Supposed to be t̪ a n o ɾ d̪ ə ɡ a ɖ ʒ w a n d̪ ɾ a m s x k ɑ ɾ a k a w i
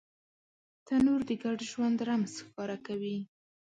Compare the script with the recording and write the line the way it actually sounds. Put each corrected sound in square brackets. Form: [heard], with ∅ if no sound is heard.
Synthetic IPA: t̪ a n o ɾ d̪ ə ɡ a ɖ ʒ w a n d̪ ɾ a m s x k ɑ ɾ a k a w i